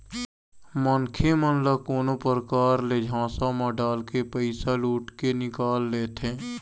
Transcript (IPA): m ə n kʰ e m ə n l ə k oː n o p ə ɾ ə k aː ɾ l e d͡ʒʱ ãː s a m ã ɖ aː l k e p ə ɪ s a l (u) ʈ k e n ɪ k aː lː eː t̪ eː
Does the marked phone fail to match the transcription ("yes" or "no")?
yes